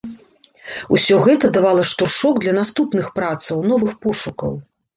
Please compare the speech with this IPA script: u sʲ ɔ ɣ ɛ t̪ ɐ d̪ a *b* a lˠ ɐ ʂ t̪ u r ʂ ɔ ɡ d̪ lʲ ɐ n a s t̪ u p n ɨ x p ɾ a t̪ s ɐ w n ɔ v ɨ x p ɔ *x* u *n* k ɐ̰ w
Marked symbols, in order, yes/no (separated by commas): no, no, no